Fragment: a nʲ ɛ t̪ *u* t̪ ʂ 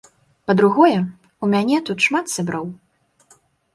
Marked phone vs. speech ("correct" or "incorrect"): correct